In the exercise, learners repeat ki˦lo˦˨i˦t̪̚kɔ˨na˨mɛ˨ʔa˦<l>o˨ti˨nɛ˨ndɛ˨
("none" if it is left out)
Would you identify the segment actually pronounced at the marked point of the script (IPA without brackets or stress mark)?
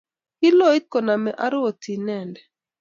ɾ